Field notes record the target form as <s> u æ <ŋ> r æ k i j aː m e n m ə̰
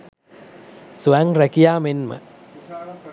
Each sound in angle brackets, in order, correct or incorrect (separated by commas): correct, correct